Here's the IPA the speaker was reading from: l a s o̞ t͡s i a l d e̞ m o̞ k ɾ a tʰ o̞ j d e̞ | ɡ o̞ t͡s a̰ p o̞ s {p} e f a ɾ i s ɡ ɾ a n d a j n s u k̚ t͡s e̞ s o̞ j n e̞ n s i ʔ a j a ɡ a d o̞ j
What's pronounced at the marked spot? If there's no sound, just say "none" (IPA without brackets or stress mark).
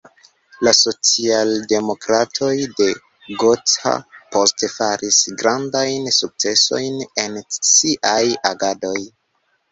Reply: t